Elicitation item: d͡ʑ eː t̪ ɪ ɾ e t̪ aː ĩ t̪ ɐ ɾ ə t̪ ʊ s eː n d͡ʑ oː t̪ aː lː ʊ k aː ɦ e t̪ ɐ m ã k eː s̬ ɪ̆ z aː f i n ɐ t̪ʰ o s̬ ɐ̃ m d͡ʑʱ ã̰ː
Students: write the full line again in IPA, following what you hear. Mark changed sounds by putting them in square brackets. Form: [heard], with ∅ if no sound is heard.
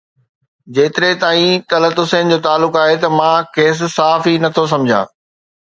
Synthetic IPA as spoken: d͡ʑ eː t̪ ɪ ɾ e t̪ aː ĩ t̪ ɐ [l] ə t̪ ʊ s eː n d͡ʑ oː t̪ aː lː ʊ k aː ɦ e t̪ ɐ m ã k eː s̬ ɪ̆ [s] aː f i n ɐ t̪ʰ o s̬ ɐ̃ m d͡ʑʱ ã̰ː